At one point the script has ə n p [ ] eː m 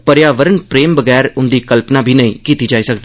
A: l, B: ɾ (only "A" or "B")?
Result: B